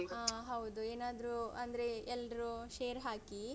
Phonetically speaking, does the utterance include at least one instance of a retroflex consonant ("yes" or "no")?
no